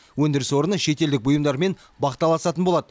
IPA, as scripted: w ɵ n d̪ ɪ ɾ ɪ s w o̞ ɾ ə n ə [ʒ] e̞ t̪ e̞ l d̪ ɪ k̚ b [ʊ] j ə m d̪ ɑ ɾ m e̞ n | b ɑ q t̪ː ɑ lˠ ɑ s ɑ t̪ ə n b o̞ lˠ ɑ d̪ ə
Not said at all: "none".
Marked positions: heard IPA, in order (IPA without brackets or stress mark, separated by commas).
ʃ, ʊ